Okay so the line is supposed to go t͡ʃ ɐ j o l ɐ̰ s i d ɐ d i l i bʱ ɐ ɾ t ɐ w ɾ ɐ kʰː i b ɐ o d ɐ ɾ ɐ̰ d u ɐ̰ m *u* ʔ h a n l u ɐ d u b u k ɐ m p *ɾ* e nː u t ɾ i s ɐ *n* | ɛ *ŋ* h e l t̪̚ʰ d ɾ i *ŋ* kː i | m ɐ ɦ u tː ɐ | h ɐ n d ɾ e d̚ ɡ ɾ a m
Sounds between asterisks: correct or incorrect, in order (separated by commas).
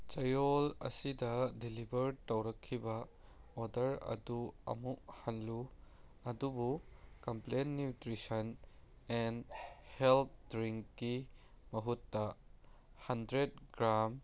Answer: correct, incorrect, correct, incorrect, correct